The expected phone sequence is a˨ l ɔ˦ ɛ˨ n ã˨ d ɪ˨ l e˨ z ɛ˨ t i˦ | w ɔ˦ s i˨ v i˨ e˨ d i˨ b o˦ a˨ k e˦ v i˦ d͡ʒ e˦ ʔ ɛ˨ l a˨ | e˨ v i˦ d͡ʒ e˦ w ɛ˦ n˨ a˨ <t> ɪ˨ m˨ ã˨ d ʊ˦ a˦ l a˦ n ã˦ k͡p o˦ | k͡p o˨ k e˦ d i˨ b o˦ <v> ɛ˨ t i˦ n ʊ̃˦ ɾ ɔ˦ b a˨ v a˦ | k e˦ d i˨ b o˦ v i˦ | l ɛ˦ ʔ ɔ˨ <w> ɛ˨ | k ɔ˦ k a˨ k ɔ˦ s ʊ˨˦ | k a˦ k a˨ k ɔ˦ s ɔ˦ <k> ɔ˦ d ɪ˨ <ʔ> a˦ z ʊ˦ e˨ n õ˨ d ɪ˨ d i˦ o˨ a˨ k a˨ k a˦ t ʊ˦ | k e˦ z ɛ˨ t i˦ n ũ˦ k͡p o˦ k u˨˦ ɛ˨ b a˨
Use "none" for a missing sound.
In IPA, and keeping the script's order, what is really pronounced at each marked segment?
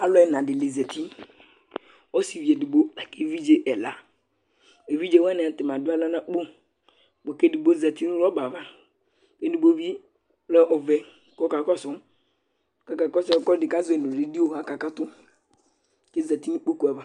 t, z, v, k, k

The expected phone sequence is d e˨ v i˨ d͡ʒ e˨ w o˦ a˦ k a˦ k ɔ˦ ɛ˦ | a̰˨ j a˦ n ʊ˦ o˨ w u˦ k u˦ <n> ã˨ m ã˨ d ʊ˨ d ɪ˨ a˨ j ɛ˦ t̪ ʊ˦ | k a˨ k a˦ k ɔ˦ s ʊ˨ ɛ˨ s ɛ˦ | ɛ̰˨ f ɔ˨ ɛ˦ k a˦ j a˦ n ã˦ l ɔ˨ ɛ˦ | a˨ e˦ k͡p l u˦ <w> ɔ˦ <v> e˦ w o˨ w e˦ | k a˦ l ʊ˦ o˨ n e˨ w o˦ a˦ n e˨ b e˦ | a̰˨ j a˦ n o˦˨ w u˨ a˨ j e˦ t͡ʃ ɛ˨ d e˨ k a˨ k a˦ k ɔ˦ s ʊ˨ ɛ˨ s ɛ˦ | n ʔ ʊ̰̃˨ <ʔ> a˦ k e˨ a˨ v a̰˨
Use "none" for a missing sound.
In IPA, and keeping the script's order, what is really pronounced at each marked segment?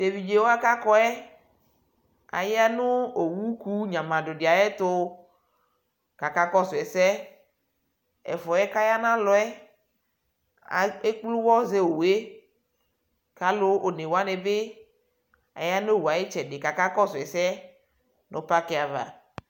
ɲ, w, z, p

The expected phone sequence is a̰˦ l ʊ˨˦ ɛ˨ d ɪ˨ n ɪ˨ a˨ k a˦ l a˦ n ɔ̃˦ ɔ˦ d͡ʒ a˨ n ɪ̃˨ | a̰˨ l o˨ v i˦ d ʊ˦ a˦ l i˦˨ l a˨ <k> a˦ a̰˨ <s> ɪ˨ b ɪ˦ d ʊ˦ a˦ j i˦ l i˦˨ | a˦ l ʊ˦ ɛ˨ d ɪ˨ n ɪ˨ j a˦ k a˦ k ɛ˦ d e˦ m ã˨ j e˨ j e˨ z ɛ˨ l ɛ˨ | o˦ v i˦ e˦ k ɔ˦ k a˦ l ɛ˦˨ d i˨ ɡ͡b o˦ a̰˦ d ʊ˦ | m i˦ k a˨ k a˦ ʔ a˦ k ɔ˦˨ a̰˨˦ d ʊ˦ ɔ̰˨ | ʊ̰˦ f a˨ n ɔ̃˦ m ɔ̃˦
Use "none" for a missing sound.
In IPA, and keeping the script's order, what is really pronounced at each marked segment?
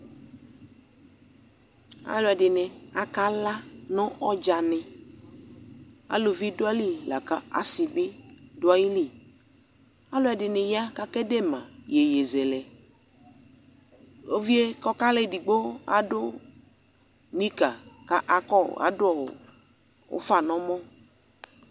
k, s

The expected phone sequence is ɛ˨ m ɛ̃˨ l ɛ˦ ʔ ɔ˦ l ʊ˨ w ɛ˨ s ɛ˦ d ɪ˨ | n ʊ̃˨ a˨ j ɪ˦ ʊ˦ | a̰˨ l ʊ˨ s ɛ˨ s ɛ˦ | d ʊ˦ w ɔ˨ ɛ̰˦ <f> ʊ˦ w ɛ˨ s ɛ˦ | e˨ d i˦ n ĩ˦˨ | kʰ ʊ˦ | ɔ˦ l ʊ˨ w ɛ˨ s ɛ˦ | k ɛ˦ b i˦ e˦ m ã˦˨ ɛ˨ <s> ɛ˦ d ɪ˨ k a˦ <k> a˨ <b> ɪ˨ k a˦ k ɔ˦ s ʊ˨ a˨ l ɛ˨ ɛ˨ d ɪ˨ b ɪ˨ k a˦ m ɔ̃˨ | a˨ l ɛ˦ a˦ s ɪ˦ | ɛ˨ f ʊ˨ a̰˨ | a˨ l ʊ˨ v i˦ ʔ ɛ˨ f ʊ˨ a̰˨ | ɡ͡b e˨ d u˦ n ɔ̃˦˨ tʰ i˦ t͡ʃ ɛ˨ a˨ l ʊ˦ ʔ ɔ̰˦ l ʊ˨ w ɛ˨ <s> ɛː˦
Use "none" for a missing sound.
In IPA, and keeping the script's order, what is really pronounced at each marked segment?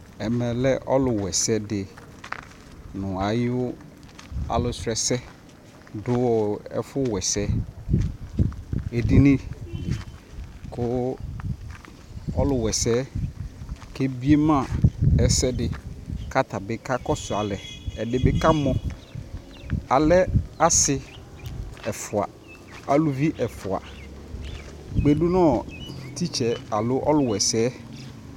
f, s, t, b, s

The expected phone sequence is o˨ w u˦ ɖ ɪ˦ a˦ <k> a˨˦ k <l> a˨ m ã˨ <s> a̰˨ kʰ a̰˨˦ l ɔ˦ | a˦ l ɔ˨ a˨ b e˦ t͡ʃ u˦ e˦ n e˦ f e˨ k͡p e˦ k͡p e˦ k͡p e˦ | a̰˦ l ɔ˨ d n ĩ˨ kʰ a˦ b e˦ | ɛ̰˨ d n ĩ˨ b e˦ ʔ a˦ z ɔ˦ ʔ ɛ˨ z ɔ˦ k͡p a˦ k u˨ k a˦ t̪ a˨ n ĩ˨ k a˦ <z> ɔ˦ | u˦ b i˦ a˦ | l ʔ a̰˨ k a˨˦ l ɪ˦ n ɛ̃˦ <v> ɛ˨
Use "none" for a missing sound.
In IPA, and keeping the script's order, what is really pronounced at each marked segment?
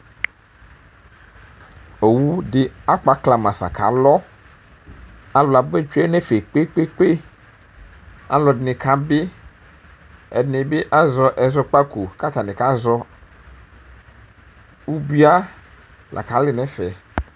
k͡p, l, s, z, f

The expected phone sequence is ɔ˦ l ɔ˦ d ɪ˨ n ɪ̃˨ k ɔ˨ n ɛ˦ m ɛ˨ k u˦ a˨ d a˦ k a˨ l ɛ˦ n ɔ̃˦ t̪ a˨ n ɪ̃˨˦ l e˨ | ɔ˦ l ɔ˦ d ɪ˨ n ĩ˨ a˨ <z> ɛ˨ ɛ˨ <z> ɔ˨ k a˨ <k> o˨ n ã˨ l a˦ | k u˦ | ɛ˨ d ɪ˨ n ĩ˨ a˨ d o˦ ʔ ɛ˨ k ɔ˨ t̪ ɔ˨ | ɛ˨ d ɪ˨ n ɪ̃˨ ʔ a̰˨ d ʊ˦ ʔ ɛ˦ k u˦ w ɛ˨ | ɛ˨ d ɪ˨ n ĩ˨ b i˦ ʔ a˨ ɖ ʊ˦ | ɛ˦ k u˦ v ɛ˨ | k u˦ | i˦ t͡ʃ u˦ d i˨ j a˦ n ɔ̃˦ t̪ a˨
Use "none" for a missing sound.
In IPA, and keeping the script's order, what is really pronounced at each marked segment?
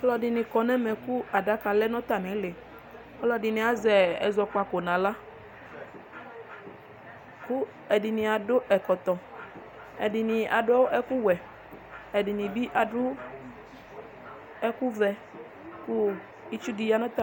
z, z, k

